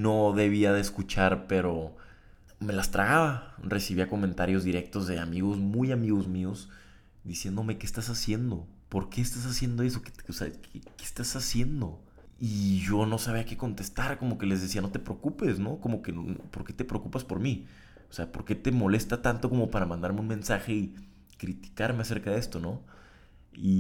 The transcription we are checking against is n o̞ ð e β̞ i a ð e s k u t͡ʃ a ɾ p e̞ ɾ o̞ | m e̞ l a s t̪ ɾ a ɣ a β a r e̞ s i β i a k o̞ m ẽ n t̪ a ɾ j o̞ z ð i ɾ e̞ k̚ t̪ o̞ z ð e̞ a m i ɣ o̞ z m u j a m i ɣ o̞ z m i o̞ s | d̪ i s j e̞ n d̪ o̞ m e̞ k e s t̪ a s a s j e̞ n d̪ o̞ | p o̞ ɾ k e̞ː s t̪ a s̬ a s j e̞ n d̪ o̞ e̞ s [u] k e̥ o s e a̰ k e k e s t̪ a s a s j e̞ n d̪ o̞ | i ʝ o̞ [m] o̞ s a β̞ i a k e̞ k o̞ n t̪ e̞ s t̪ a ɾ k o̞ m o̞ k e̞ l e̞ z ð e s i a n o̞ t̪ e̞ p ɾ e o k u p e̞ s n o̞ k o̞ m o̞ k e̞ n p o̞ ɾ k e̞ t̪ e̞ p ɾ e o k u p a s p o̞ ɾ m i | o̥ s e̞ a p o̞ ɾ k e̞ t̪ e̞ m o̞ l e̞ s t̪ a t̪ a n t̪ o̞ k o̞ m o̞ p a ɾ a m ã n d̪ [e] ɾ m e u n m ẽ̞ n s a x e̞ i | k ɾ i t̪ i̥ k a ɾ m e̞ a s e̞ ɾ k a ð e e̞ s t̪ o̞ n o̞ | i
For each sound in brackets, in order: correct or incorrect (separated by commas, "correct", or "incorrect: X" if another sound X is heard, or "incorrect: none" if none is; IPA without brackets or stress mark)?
incorrect: o, incorrect: n, incorrect: a